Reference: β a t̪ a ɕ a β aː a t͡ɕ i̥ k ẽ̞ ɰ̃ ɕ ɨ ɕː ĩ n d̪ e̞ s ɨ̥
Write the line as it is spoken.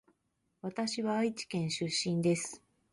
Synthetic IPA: β a t̪ a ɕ i β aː i t͡ɕ i̥ k ẽ̞ ɰ̃ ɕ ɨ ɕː ĩ n d̪ e̞ s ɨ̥